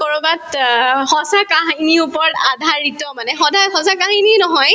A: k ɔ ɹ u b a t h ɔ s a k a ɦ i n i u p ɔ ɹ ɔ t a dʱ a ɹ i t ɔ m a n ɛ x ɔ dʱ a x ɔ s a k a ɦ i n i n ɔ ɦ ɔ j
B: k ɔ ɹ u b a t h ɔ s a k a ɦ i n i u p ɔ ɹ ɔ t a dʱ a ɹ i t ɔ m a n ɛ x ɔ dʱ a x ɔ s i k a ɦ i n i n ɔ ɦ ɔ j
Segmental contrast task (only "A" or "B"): A